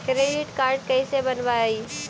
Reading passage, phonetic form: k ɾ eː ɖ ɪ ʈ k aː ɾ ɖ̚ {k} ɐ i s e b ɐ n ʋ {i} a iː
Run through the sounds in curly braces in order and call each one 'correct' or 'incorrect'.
correct, incorrect: a

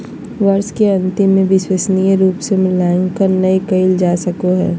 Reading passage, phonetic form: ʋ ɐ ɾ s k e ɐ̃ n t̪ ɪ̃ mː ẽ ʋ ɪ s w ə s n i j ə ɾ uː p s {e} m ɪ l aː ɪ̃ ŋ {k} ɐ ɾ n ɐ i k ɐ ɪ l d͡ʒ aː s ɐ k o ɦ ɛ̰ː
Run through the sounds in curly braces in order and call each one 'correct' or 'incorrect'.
correct, correct

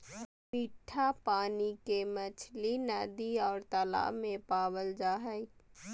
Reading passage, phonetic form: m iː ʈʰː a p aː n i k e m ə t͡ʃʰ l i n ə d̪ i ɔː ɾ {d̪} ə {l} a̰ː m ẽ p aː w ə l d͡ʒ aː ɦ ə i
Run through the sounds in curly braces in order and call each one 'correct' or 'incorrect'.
incorrect: t̪, correct

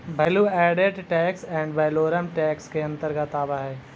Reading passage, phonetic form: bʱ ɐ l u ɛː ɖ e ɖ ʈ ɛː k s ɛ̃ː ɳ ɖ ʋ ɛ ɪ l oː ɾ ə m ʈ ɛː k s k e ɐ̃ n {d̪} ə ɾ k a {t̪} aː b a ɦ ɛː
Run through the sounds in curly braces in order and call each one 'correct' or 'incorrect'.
incorrect: t̪, correct

